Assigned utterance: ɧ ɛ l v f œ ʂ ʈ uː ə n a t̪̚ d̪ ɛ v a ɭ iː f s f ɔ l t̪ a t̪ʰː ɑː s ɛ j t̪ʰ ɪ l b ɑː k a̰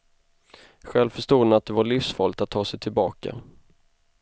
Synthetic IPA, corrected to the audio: ɧ ɛ l v f œ ʂ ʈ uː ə n a t̪̚ d̪ ɛ v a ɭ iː f s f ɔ l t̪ a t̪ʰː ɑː s ɛ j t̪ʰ ɪ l b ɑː k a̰